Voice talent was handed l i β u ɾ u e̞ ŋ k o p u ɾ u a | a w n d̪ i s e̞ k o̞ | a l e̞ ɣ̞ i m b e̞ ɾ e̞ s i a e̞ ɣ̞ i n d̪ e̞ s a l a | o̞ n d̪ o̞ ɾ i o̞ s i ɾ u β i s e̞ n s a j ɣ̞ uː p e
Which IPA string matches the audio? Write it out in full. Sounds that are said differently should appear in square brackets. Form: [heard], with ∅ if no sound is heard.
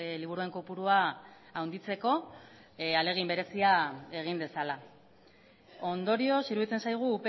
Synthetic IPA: l i β u ɾ u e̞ ŋ k o p u ɾ u a | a w n d̪ i [t͡s] e̞ k o̞ | a l e̞ ɣ̞ i m b e̞ ɾ e̞ s i a e̞ ɣ̞ i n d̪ e̞ s a l a | o̞ n d̪ o̞ ɾ i o̞ s i ɾ u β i [t͡s] e̞ n s a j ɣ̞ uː p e